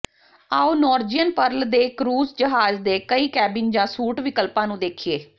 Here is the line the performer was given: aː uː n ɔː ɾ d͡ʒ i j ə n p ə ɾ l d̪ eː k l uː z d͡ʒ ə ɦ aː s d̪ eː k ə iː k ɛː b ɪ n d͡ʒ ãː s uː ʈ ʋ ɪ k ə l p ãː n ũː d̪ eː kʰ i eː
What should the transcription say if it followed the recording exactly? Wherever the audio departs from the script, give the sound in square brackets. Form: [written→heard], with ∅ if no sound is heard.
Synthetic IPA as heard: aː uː n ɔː ɾ d͡ʒ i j ə n p ə ɾ l d̪ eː k [l→ɾ] uː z d͡ʒ ə ɦ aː [s→z] d̪ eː k ə iː k ɛː b ɪ n d͡ʒ ãː s uː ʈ ʋ ɪ k ə l p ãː n ũː d̪ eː kʰ i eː

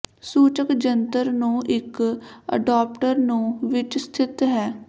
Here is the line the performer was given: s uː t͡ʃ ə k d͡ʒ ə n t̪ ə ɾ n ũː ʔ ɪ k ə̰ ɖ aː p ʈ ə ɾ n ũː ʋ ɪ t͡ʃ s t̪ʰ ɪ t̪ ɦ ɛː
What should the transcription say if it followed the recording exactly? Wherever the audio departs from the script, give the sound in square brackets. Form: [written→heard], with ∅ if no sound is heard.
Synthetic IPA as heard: s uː t͡ʃ ə k d͡ʒ ə n t̪ ə ɾ n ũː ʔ ɪ k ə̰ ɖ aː p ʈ ə ɾ n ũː ʋ ɪ t͡ʃ s t̪ʰ ɪ t̪ ɦ ɛː

